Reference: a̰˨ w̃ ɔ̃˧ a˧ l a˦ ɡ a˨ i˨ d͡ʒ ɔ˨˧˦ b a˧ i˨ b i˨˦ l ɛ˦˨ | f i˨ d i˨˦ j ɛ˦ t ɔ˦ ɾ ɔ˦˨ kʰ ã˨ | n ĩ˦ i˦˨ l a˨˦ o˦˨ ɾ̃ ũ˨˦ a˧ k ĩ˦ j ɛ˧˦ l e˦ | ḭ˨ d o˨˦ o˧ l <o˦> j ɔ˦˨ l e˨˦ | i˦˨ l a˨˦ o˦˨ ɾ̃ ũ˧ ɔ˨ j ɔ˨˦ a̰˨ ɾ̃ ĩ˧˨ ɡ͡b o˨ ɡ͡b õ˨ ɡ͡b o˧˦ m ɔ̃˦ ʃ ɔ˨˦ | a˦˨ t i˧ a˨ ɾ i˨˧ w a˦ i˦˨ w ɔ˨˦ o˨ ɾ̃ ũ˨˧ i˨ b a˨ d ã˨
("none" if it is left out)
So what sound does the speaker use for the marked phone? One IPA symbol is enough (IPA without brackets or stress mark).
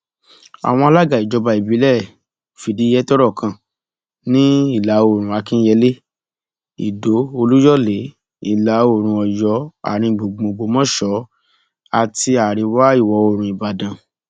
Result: u˦